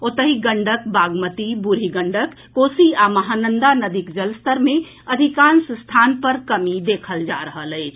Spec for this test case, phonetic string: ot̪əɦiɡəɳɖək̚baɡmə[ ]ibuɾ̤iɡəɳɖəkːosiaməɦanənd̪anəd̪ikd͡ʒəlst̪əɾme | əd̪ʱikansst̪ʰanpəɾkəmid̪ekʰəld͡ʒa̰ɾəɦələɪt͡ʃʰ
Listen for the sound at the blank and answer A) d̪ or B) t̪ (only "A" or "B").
B